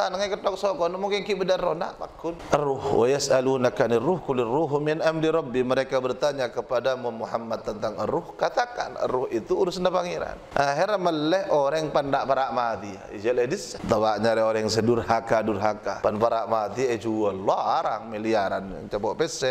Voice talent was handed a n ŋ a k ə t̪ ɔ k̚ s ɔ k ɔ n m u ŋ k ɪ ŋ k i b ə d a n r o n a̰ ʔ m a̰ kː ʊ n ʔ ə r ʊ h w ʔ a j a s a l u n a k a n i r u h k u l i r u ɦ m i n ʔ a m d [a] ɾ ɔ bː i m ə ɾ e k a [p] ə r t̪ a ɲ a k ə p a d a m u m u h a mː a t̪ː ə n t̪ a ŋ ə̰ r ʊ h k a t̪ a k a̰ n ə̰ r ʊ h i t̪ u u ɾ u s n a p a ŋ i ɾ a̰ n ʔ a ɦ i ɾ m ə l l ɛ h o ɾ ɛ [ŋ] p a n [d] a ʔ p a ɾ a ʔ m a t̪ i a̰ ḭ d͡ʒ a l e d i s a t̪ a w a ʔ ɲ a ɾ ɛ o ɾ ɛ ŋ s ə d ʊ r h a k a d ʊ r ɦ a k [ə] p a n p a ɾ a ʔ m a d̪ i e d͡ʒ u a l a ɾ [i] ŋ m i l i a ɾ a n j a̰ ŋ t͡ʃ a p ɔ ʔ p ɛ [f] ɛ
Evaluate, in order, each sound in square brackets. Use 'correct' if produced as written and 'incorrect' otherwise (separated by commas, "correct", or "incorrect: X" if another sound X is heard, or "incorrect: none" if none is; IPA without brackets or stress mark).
incorrect: i, incorrect: b, correct, correct, incorrect: a, incorrect: a, incorrect: s